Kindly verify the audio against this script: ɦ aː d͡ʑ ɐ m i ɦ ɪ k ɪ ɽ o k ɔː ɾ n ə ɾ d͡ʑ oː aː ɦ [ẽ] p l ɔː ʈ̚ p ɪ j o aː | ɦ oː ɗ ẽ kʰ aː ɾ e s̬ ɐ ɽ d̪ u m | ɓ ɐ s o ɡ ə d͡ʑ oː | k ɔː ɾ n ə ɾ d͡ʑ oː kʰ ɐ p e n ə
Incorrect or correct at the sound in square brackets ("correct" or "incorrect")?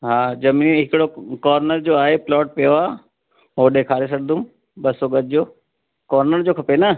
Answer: incorrect